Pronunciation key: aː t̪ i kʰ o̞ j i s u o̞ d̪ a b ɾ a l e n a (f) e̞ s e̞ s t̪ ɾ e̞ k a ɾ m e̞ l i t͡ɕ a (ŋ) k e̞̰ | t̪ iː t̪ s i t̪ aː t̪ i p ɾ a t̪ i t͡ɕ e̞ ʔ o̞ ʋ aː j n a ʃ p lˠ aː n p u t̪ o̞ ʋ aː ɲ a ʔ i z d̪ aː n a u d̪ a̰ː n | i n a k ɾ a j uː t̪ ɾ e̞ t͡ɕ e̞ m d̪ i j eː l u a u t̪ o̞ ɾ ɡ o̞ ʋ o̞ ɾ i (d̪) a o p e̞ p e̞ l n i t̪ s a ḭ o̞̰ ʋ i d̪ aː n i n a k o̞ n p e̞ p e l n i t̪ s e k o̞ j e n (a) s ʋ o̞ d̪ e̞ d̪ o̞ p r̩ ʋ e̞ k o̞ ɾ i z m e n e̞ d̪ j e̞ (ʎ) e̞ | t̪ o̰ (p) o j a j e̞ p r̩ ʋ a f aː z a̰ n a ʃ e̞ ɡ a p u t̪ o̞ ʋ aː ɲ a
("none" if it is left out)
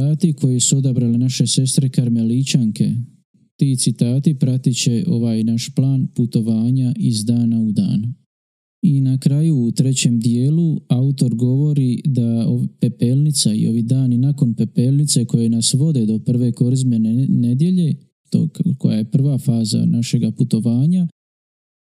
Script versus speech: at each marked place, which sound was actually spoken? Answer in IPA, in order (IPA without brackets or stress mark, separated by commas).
ʃ, ŋ, d̪, a, ʎ, k